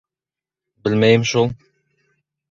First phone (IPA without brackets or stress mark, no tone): b